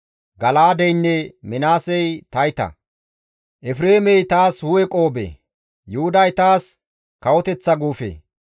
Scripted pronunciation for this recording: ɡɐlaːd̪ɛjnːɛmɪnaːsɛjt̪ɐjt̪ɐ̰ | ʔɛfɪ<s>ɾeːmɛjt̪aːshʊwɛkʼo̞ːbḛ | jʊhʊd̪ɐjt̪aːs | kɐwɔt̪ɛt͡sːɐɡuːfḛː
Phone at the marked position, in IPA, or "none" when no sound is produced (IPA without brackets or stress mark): none